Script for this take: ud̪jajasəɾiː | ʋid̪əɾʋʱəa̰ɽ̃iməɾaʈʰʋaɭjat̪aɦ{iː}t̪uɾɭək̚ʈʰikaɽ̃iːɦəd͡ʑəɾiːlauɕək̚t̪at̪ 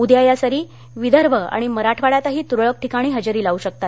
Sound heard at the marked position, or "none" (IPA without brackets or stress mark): iː